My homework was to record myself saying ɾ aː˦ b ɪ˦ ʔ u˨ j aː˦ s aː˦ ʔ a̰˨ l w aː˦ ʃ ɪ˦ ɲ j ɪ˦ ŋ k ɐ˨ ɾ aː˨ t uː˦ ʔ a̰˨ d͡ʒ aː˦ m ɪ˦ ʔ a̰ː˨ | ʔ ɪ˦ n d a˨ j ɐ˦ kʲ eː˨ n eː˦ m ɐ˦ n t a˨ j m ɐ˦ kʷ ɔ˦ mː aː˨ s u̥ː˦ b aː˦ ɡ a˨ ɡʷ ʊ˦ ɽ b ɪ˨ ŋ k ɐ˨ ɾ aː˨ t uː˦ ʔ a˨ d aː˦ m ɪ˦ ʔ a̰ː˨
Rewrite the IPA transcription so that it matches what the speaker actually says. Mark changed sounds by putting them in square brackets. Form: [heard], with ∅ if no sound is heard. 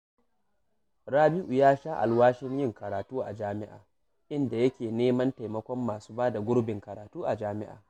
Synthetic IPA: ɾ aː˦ b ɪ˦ ʔ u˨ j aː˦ [ʃ] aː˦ ʔ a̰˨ l w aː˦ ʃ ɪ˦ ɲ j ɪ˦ ŋ k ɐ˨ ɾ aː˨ t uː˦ ʔ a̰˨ d͡ʒ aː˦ m ɪ˦ ʔ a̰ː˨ | ʔ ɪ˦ n d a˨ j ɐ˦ kʲ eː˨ n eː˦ m ɐ˦ n t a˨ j m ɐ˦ kʷ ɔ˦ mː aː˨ s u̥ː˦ b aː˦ [d] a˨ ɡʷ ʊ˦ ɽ b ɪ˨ ŋ k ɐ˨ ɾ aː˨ t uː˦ ʔ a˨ [d͡ʒ] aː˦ m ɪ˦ ʔ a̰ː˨